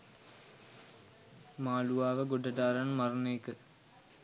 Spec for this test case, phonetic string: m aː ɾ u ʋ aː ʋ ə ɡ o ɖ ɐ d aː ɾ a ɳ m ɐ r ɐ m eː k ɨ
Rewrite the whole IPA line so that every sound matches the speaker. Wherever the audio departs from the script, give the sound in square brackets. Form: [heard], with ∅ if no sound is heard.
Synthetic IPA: m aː [l] u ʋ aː ʋ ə ɡ o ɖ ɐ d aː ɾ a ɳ m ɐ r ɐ [n] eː k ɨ